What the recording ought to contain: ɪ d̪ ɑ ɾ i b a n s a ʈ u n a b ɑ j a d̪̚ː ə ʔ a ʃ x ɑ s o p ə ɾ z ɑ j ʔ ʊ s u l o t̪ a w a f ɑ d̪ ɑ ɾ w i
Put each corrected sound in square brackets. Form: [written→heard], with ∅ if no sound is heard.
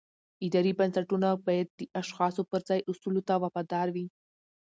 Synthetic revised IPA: ɪ d̪ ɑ ɾ i b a n s a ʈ u n a b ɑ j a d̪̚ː ə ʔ a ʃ x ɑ s o p ə ɾ z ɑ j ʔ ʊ s u l o t̪ a w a f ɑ d̪ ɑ ɾ w i